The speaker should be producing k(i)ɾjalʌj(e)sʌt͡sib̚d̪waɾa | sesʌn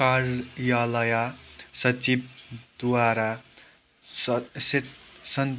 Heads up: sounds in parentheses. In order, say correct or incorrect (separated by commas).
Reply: incorrect, incorrect